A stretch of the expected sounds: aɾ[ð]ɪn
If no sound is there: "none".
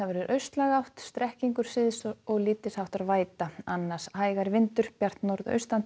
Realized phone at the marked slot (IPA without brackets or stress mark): v